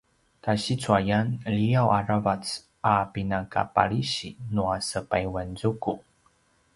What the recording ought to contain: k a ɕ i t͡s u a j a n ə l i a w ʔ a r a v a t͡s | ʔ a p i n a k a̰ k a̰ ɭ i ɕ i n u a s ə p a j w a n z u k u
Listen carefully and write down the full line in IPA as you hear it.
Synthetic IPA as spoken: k a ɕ i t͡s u a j a n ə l i a w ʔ a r a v a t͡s | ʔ a p i n a k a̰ p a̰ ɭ i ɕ i n u a s ə p a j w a n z u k u